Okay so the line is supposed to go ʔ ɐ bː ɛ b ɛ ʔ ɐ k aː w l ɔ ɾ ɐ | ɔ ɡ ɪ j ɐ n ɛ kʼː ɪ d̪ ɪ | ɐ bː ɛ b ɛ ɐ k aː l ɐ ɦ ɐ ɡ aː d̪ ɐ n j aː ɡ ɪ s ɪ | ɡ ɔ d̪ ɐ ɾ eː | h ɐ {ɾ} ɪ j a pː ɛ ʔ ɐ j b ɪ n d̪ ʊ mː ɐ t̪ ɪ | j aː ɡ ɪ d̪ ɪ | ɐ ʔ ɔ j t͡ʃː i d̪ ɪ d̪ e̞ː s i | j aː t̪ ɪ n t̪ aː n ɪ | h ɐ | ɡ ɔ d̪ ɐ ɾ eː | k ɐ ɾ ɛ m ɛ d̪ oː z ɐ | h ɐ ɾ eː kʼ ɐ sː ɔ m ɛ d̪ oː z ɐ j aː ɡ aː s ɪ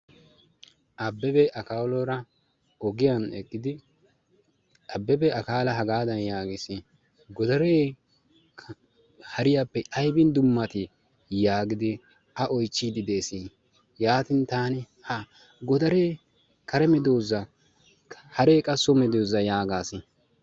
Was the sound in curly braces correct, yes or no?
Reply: yes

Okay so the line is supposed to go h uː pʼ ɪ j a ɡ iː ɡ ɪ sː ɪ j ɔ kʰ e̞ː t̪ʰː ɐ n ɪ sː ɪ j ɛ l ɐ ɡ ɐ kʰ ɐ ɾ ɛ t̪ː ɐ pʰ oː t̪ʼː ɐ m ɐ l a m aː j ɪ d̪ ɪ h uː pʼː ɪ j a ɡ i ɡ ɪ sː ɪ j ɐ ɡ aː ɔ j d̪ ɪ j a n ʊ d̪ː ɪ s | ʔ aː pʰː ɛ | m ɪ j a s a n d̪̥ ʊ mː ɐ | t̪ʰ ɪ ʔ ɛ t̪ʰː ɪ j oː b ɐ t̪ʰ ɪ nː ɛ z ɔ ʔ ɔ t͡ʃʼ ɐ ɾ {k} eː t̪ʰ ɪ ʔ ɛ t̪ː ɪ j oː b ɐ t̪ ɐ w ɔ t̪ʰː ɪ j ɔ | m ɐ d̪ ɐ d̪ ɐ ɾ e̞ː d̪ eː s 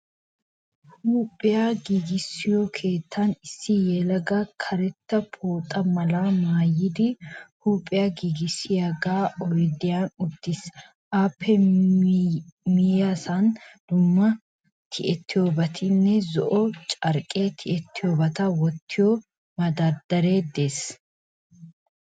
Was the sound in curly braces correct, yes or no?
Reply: no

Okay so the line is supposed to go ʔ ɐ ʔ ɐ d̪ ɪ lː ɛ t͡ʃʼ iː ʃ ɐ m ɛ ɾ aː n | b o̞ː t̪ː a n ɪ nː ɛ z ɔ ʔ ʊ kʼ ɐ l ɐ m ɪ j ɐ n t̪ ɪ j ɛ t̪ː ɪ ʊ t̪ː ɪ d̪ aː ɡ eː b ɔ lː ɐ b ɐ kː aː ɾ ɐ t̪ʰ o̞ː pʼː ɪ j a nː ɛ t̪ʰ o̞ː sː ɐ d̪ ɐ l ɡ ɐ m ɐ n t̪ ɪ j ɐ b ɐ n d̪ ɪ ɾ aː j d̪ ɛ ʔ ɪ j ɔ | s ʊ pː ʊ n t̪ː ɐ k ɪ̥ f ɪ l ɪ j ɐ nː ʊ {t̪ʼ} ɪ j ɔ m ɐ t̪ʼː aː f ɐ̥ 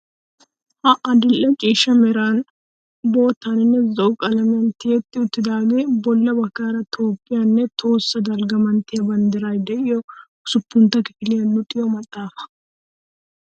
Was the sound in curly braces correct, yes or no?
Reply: yes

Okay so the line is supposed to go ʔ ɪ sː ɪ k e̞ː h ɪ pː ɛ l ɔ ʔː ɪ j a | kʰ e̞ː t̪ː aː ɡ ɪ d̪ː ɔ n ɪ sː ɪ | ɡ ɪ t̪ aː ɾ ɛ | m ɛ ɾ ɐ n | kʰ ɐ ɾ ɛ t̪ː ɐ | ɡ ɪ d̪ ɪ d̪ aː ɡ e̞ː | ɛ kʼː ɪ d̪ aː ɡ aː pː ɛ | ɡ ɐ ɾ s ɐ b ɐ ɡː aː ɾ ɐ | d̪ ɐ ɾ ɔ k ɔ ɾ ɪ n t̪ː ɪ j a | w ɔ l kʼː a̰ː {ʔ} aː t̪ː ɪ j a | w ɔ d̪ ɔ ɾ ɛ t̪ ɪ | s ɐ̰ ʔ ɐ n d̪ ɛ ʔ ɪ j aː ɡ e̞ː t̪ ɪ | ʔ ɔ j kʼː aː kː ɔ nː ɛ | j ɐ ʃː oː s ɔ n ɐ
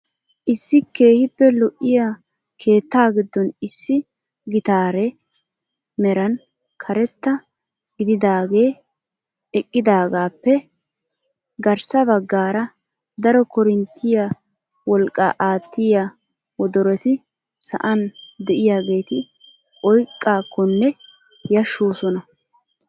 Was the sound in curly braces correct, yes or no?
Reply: yes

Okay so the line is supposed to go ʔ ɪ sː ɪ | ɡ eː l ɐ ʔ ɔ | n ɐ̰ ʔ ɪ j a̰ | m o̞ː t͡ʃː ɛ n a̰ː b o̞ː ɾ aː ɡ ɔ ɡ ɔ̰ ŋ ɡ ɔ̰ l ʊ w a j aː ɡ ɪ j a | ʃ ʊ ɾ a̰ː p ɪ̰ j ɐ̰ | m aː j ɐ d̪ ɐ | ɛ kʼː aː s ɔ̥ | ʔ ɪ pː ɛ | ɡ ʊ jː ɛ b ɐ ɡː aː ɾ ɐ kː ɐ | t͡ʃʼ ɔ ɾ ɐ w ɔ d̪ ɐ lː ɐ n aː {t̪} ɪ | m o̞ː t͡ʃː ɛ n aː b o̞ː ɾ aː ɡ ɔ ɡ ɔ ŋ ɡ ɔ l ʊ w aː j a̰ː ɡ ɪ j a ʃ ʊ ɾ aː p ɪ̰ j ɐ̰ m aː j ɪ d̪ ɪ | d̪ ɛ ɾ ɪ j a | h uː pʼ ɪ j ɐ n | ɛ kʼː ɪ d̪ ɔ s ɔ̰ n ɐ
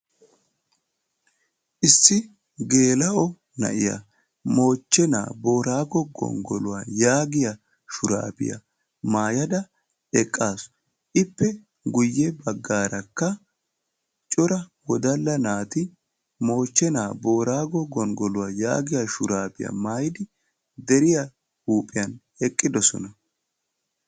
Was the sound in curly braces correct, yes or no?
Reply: yes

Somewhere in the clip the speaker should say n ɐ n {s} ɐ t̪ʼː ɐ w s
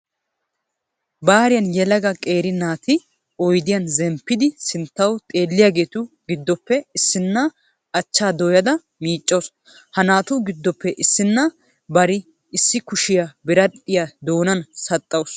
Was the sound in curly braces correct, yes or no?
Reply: yes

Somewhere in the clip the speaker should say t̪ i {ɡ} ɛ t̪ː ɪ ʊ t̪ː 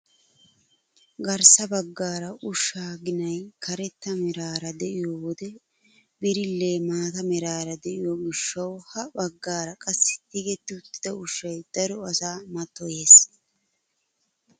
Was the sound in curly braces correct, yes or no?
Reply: yes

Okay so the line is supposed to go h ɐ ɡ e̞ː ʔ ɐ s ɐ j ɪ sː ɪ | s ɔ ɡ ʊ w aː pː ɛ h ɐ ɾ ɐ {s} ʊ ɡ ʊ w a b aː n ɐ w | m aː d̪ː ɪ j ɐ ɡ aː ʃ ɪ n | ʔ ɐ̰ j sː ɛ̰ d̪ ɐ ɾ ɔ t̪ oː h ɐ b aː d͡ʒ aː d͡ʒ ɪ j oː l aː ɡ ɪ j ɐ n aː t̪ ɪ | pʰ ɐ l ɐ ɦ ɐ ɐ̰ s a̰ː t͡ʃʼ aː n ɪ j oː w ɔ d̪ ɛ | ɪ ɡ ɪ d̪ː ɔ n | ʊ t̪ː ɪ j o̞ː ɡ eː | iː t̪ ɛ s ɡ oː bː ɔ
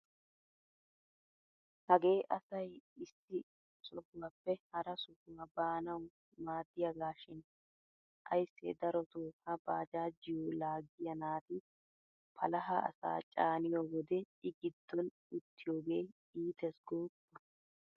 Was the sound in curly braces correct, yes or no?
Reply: yes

